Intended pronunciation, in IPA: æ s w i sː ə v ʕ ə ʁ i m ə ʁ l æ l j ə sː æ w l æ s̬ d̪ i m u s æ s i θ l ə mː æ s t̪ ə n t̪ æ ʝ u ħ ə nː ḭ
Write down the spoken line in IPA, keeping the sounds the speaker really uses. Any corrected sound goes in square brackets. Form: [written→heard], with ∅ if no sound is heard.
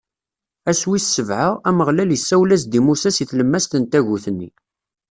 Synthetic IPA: æ s w i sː ə v ʕ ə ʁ [i→æ] m ə ʁ l æ l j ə sː æ w l æ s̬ d̪ i m u s æ s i θ l ə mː æ s t̪ ə n t̪ æ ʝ u [ħ→θ] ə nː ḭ